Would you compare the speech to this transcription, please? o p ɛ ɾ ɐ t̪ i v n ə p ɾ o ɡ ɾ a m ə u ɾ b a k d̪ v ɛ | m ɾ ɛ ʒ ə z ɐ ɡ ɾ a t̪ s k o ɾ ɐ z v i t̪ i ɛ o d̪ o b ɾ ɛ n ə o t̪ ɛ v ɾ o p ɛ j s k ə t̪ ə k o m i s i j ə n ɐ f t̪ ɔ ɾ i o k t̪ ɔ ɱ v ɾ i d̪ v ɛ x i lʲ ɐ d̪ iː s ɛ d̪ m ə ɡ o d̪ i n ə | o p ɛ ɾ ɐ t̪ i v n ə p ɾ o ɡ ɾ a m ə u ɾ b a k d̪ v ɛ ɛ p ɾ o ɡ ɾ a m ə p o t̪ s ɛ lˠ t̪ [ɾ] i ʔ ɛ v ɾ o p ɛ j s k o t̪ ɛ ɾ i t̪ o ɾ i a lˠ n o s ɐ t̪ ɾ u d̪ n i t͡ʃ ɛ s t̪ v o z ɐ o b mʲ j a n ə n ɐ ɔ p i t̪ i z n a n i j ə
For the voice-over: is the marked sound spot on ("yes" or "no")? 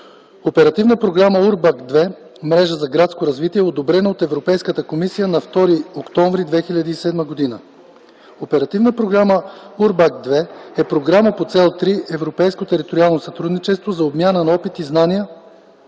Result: yes